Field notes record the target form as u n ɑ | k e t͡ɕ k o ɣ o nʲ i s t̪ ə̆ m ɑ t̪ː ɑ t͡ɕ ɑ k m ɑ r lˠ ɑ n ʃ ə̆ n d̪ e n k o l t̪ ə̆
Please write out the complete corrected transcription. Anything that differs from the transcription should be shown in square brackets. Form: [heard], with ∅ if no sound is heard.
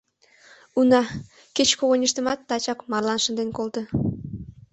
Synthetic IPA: u n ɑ | k e t͡ɕ k o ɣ o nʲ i [ʃ] t̪ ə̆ m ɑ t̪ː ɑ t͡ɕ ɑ k m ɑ r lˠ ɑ n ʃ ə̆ n d̪ e n k o l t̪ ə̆